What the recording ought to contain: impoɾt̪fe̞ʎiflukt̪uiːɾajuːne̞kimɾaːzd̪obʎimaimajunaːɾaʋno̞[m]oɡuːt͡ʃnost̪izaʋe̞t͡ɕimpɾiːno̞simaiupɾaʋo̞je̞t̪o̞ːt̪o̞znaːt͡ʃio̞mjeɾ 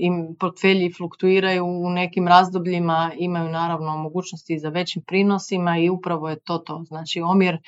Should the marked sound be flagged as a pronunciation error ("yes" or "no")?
no